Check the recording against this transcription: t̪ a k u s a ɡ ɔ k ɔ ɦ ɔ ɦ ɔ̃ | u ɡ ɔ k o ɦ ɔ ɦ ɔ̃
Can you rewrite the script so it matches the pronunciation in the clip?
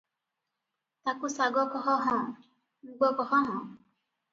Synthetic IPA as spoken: t̪ a k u s a ɡ ɔ k ɔ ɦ ɔ ɦ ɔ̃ | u ɡ ɔ k ɔ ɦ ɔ ɦ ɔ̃